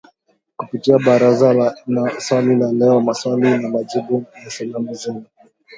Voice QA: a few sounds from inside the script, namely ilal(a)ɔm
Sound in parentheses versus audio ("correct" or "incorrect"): incorrect